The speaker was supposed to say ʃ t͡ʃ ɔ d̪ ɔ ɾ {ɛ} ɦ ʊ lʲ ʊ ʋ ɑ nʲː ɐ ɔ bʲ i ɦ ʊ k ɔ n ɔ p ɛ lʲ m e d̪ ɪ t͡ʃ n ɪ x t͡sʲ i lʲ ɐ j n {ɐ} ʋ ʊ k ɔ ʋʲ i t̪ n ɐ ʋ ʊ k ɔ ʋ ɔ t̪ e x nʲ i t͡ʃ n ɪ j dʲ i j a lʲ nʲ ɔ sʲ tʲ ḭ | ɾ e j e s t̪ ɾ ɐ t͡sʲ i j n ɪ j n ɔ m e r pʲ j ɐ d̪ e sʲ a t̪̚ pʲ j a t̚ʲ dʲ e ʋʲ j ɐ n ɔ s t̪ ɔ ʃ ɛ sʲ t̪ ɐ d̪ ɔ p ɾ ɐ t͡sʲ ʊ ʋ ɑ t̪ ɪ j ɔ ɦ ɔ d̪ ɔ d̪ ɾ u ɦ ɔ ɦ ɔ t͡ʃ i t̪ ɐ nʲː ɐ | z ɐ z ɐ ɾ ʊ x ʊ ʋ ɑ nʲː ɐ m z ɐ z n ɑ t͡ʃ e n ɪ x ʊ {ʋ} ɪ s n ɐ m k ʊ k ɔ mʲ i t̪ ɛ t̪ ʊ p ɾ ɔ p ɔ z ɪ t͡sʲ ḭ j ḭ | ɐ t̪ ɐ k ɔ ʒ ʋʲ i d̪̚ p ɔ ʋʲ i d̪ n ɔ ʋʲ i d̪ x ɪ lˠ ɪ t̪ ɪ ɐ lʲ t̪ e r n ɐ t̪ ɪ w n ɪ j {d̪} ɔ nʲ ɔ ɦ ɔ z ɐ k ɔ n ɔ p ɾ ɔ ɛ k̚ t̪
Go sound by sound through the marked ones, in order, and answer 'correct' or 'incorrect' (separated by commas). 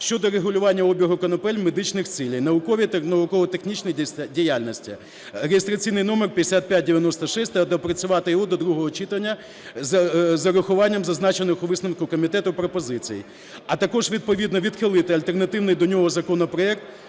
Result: incorrect, correct, correct, correct